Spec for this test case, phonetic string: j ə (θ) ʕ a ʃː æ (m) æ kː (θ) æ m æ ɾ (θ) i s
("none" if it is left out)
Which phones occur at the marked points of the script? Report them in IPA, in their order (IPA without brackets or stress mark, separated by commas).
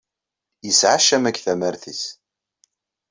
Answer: s, m, θ, θ